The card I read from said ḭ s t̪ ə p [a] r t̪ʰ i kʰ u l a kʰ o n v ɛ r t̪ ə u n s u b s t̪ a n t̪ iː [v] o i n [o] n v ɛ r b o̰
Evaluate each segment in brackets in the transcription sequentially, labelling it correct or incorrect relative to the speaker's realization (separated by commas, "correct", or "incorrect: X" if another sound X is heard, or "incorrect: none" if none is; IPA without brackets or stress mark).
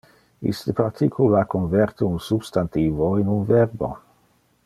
correct, correct, incorrect: u